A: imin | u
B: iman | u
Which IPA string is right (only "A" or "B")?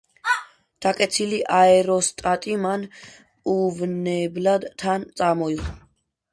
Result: B